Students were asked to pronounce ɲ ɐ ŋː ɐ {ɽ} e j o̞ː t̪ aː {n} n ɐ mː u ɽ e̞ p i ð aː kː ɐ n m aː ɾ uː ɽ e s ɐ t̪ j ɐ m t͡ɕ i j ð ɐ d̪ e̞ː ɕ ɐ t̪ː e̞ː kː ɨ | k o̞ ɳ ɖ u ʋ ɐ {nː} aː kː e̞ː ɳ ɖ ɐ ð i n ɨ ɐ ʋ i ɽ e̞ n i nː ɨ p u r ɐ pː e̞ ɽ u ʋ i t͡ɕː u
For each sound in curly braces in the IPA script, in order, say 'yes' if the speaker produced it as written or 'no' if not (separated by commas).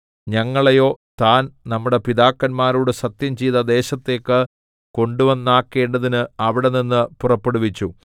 no, yes, yes